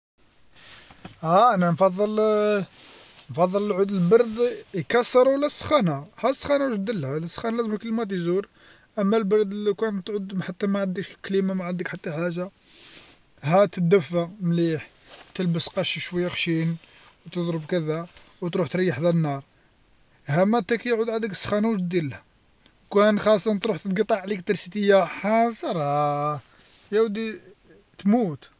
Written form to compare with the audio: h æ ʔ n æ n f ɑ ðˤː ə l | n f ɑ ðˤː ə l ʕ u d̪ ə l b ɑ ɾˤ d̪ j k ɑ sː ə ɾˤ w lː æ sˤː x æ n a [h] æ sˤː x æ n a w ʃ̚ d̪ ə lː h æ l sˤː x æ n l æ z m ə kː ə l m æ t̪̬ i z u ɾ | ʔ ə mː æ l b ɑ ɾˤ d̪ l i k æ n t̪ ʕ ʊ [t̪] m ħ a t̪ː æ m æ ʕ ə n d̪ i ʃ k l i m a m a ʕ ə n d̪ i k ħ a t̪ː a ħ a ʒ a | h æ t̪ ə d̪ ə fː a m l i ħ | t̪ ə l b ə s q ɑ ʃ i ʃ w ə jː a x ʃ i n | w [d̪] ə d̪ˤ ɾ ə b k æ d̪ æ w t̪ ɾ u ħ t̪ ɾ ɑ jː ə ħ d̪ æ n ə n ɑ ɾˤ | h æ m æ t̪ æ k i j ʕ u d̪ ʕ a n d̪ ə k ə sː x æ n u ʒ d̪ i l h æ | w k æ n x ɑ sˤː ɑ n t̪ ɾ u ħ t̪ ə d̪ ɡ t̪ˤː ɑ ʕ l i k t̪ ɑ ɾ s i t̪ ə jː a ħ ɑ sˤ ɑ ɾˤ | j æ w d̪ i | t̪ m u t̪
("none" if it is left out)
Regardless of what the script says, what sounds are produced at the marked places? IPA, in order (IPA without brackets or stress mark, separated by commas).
h, d̪, t̪